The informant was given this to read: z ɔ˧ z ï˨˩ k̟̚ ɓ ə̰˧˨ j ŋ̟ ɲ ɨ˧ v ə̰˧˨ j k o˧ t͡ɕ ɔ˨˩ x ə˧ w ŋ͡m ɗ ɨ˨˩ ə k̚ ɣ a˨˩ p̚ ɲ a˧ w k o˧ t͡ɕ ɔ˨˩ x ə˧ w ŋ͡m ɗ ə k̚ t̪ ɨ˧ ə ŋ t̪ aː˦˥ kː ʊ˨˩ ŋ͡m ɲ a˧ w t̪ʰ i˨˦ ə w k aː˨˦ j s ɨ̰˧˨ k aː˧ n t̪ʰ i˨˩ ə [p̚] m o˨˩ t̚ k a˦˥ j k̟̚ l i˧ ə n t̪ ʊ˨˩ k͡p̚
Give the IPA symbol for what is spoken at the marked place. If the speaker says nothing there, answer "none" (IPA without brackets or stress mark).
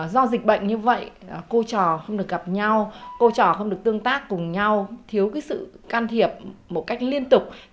p̚